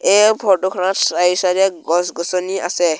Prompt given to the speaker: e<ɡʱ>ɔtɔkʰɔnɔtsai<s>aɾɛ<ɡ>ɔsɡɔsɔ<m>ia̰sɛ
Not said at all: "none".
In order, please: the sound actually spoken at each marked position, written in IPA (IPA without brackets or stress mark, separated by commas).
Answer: bʱ, s, ɡ, n